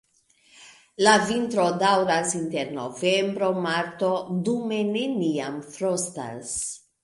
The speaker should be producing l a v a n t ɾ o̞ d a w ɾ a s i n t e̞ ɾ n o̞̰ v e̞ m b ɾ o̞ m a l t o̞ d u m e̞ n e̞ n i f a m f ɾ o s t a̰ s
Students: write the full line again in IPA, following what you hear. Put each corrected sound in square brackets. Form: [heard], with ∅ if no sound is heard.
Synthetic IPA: l a v [i] n t ɾ o̞ d a w ɾ a s i n t e̞ ɾ n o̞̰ v e̞ m b ɾ o̞ m a [ɾ] t o̞ d u m e̞ n e̞ n i [∅] a m f ɾ o s t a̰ s